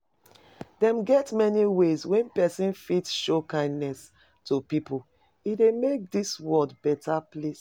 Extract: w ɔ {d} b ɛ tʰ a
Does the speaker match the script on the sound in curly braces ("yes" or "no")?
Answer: yes